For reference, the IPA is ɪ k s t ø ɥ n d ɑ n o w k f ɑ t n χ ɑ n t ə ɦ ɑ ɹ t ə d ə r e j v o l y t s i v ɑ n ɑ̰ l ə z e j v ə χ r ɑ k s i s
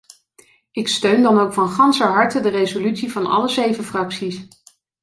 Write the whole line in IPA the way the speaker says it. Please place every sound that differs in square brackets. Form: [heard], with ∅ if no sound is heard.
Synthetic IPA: ɪ k s t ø ɥ n d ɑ n o w k f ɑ [∅] n χ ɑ n [s] ə ɦ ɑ ɹ t ə d ə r e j [z] o l y t s i v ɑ n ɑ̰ l ə z e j v ə [f] r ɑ k s i s

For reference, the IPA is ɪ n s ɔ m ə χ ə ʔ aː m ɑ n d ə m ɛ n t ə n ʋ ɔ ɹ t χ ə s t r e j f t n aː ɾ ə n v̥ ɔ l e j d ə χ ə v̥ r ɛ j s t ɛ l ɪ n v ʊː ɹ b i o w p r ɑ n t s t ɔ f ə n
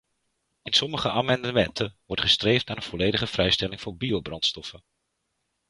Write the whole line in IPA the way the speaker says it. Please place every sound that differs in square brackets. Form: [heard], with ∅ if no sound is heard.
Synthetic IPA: ɪ n s ɔ m ə χ ə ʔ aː m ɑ n d ə m ɛ n t ə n ʋ ɔ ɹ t χ ə s t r e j f t n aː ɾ ə n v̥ ɔ l e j d ə χ ə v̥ r ɛ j s t ɛ l ɪ [ŋ] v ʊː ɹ b i o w [b] r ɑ n t s t ɔ f ə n

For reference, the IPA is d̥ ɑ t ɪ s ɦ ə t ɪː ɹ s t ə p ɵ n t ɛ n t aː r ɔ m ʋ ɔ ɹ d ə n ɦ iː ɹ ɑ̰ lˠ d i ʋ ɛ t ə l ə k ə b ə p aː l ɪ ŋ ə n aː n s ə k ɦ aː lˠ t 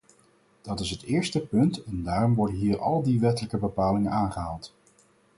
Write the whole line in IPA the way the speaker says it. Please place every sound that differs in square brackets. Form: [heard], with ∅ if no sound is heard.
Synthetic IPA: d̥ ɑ t ɪ s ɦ ə t ɪː ɹ s t ə p ɵ n t ɛ n [d] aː r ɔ m ʋ ɔ ɹ d ə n ɦ iː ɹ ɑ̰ lˠ d i ʋ ɛ t ə l ə k ə b ə p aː l ɪ ŋ ə n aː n [χ] ə [∅] ɦ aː lˠ t

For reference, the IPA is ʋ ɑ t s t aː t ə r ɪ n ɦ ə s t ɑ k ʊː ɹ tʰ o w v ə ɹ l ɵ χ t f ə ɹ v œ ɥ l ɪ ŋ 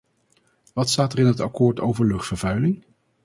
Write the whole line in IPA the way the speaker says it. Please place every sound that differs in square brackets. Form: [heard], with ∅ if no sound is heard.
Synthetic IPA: ʋ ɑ t s t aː t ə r ɪ n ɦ ə [∅] t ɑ k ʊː ɹ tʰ o w v ə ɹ l ɵ χ t f ə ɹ v œ ɥ l ɪ ŋ

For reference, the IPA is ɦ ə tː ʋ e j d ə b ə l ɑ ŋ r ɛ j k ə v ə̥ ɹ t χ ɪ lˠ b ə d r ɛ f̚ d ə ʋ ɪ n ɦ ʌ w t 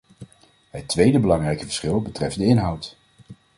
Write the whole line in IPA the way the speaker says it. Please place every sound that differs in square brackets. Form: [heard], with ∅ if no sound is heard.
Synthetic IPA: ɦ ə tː ʋ e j d ə b ə l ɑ ŋ r ɛ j k ə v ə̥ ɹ [s] χ ɪ lˠ b ə [t] r ɛ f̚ d ə [∅] ɪ n ɦ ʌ w t

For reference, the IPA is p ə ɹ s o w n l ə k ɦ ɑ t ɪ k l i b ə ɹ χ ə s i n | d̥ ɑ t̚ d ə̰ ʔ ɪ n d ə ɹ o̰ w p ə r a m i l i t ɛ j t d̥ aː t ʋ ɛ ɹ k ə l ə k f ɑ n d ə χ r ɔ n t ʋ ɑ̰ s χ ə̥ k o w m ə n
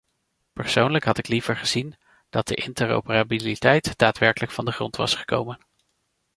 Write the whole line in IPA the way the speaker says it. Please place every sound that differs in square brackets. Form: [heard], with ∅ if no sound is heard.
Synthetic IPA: p ə ɹ s o w n l ə k ɦ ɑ t ɪ k l i [v] ə ɹ χ ə [z] i n | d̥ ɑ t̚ d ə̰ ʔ ɪ n [t] ə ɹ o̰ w p ə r a [b] i l i t ɛ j t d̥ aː t ʋ ɛ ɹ k ə l ə k f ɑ n d ə χ r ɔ n t ʋ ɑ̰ s χ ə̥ k o w m ə n

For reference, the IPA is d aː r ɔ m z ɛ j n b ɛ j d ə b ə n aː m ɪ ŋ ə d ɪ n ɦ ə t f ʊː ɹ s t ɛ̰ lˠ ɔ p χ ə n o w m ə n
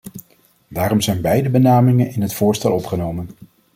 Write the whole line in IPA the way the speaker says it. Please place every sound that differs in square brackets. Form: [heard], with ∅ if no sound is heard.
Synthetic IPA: d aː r ɔ m z ɛ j n b ɛ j d ə b ə n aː m ɪ ŋ ə [n] ɪ n ɦ ə t f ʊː ɹ s t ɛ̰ lˠ ɔ p χ ə n o w m ə n

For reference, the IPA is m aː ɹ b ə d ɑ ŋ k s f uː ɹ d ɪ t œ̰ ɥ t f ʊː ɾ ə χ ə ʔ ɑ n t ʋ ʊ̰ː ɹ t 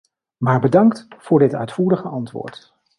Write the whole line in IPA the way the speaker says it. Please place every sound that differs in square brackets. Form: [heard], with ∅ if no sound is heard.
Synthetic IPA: m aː ɹ b ə d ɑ ŋ k [t] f [ʊː] ɹ d ɪ t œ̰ ɥ t f [uː] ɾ ə χ ə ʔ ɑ n t ʋ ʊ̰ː ɹ t

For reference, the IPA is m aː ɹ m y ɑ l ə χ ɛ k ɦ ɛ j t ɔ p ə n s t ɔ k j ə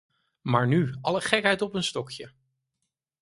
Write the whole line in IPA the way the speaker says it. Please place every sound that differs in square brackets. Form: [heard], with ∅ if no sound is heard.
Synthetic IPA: m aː ɹ [n] y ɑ l ə χ ɛ k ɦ ɛ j t ɔ p ə n s t ɔ k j ə

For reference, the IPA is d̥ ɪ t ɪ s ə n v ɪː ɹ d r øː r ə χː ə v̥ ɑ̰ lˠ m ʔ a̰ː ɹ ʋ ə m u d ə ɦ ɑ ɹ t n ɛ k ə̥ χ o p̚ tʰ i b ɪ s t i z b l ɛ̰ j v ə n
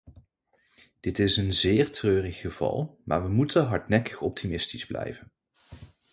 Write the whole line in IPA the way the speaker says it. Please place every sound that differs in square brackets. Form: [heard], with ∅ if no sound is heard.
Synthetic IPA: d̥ ɪ t ɪ s ə n [z] ɪː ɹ [t] r øː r ə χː ə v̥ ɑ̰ lˠ m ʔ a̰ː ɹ ʋ ə m u [t] ə ɦ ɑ ɹ t n ɛ k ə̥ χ [ɔ] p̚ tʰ i [m] ɪ s t i z b l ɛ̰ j v ə n

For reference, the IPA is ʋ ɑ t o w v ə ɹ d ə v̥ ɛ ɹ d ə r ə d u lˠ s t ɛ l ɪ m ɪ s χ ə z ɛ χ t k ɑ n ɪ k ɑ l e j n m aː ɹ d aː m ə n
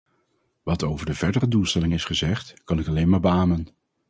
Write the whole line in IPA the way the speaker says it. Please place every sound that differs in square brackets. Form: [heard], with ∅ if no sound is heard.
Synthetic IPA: ʋ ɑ t o w v ə ɹ d ə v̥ ɛ ɹ d ə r ə d u lˠ s t ɛ l ɪ [ŋ] ɪ s χ ə z ɛ χ t k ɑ n ɪ k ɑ l e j n m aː ɹ [b] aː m ə n

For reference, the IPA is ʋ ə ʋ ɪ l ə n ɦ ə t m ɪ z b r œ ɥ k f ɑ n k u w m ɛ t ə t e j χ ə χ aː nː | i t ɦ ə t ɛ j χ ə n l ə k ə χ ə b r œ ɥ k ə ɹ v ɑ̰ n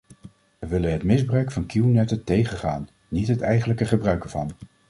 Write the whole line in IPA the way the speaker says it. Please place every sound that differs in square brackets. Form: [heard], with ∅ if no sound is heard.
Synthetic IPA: ʋ ə ʋ ɪ l ə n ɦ ə t m ɪ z b r œ ɥ k f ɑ n k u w [n] ɛ t ə t e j χ ə χ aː nː | i t ɦ ə t ɛ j χ ə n l ə k ə χ ə b r œ ɥ k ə ɹ v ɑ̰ n

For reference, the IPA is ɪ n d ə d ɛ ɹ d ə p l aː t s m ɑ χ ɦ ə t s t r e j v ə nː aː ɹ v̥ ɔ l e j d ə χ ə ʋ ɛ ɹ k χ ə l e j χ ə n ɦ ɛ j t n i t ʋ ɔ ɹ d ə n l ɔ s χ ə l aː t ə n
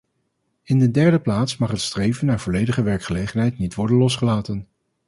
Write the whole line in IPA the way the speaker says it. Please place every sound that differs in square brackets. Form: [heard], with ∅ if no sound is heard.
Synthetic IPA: ɪ n d ə d ɛ ɹ d ə p l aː t s m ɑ χ ɦ ə t s t r e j v ə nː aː ɹ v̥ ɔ l e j d ə χ ə ʋ ɛ ɹ k χ ə l e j χ ə n ɦ ɛ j t n i t ʋ ɔ ɹ d ə n l ɔ s χ ə l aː t ə n

